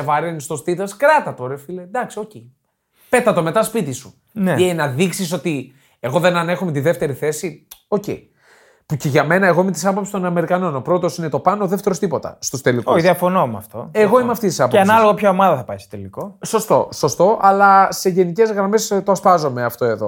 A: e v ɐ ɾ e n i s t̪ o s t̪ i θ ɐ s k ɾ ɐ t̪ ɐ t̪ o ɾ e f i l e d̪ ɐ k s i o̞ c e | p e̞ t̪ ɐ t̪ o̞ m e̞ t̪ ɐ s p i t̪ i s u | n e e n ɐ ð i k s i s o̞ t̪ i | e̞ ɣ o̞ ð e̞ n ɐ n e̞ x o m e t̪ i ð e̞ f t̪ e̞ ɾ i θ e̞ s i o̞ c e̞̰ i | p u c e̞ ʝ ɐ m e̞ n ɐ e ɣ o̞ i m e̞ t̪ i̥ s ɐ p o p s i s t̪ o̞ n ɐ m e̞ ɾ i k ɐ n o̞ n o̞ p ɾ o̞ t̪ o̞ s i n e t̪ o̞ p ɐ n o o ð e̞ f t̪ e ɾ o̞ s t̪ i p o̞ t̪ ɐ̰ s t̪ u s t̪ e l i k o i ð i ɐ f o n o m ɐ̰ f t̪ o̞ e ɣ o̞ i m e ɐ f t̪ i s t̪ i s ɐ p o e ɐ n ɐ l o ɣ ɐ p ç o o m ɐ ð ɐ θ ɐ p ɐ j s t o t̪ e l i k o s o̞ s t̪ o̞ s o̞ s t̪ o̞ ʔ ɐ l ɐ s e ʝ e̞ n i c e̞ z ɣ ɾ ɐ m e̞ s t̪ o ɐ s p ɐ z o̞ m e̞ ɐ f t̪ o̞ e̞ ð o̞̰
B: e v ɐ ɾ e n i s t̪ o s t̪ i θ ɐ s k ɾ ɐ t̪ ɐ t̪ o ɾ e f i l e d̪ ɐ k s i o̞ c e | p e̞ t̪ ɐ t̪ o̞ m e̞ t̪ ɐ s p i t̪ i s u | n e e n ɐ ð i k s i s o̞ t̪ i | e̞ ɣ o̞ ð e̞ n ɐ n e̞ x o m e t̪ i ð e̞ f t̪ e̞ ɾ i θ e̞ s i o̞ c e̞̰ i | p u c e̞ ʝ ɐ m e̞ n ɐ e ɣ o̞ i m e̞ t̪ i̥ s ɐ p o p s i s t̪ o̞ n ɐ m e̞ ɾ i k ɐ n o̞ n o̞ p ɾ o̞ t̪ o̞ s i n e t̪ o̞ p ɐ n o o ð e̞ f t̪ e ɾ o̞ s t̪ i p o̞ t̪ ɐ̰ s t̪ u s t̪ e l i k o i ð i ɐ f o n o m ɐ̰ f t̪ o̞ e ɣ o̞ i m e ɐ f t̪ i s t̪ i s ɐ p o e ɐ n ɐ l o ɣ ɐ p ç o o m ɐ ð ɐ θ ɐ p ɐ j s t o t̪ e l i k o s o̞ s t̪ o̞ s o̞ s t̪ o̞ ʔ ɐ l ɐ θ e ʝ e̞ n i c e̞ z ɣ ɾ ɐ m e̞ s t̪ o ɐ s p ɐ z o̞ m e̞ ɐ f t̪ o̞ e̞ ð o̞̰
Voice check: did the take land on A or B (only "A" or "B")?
A